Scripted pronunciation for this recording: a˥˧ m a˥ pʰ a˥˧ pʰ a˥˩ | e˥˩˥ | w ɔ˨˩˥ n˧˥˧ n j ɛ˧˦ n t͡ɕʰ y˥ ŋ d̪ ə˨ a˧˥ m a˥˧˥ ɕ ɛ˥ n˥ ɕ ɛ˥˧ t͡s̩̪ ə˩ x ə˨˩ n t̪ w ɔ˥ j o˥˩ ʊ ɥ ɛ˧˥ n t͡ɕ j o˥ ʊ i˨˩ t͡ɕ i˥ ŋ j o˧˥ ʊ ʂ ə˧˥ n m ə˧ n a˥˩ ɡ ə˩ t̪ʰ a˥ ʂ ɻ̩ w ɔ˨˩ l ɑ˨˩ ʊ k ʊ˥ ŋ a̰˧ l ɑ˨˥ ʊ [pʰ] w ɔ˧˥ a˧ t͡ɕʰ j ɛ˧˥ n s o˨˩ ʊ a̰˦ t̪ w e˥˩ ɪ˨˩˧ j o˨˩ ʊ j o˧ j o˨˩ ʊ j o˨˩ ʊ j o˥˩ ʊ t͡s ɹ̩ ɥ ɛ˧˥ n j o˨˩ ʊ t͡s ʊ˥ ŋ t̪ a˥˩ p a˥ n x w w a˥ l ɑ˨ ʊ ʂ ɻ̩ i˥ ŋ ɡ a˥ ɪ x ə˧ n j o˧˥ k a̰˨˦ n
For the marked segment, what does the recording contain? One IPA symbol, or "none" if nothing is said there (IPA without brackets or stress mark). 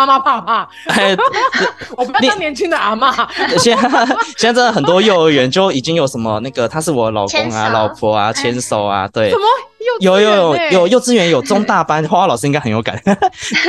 pʰ